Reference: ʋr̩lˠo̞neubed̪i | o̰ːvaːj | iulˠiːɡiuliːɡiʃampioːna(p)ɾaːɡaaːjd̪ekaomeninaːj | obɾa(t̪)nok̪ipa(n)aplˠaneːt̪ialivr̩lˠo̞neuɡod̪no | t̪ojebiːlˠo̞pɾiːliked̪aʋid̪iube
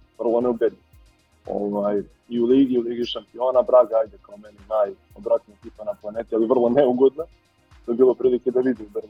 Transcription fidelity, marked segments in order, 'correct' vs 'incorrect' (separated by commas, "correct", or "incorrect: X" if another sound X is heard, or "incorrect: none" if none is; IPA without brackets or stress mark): incorrect: b, correct, correct